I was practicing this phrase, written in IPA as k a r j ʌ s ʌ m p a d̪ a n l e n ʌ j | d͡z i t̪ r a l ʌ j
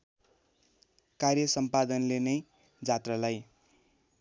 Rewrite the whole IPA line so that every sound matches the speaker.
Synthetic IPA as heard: k a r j ʌ s ʌ m p a d̪ ʌ n l e n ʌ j | d͡z a t̪ r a l a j